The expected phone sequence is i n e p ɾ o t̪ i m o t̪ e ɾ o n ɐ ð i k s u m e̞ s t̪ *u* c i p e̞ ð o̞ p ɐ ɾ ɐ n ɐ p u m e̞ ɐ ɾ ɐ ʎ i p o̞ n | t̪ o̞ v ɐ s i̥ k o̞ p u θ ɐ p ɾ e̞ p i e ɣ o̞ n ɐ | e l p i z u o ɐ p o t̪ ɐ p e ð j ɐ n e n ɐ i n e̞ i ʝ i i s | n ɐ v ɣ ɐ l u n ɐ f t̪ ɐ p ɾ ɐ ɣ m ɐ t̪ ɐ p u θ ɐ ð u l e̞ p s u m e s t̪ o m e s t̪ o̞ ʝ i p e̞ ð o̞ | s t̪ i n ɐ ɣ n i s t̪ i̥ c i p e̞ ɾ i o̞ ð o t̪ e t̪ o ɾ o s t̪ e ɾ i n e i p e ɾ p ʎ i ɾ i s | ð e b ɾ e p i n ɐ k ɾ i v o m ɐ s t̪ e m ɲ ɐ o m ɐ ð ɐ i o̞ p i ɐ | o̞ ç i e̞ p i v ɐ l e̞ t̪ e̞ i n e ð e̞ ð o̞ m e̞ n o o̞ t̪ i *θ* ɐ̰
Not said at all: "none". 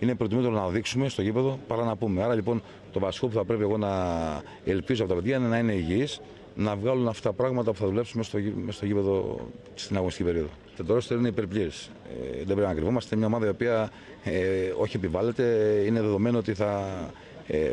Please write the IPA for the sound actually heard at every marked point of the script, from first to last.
o, θ

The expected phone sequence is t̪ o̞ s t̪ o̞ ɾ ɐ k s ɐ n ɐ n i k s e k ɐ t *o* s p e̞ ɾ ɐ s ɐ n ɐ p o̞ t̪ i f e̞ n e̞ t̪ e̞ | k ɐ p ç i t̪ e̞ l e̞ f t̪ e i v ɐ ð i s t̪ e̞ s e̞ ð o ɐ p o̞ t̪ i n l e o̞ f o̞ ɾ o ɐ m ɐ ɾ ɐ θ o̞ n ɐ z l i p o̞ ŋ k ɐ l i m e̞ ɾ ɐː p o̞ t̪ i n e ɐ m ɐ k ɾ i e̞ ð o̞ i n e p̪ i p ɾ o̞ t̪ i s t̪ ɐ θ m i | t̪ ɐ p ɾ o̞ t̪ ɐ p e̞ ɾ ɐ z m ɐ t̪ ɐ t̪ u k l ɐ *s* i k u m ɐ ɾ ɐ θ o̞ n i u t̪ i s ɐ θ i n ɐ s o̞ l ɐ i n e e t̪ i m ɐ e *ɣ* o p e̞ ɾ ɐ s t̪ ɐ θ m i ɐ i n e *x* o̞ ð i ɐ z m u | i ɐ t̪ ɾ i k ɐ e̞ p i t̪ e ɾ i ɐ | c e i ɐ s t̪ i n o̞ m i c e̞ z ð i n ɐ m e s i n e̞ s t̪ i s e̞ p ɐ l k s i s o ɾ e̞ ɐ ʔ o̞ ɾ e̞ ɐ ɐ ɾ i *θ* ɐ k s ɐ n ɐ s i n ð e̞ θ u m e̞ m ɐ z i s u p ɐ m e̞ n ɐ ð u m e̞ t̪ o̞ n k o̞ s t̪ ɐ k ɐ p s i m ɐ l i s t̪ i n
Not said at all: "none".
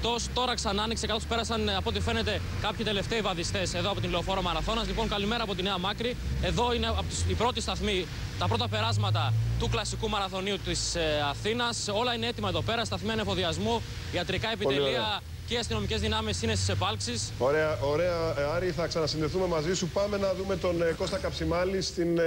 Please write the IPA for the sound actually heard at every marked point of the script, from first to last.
o, s, ð, f, θ

